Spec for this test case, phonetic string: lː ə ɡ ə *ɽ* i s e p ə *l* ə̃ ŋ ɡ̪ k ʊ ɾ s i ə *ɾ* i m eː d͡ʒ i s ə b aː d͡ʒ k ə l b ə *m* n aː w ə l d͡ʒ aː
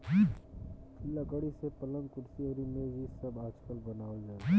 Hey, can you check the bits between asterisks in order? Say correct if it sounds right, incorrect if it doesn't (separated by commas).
correct, correct, correct, incorrect